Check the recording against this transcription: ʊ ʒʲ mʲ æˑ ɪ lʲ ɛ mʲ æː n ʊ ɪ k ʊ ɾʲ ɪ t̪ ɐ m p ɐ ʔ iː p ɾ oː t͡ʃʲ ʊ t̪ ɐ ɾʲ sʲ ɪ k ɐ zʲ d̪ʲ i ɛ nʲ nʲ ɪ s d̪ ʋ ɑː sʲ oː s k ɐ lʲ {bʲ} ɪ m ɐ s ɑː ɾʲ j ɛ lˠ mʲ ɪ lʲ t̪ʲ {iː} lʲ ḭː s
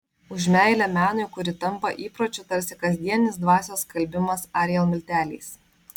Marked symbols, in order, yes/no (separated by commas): yes, no